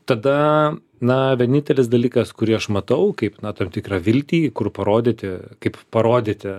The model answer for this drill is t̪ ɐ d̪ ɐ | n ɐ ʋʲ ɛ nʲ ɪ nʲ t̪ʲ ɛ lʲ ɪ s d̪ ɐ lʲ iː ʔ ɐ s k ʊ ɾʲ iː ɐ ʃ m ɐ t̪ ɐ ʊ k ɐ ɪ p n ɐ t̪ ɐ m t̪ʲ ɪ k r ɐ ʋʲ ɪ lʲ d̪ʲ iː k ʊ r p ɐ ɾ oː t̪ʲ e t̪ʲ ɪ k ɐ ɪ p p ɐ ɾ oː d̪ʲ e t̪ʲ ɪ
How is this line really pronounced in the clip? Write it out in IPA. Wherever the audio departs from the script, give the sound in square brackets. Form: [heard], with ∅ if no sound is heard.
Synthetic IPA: t̪ ɐ d̪ ɐ | n ɐ ʋʲ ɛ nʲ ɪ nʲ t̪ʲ ɛ lʲ ɪ s d̪ ɐ lʲ iː [k] ɐ s k ʊ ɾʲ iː ɐ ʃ m ɐ t̪ ɐ ʊ k ɐ ɪ p n ɐ t̪ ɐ m t̪ʲ ɪ k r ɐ ʋʲ ɪ lʲ [t̪ʲ] iː k ʊ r p ɐ ɾ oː [d̪ʲ] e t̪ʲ ɪ k ɐ ɪ p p ɐ ɾ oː d̪ʲ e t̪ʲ ɪ